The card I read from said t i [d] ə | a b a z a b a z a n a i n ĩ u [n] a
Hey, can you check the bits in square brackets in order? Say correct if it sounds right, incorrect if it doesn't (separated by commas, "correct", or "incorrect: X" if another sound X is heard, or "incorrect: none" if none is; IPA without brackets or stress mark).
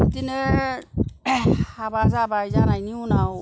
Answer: incorrect: n, correct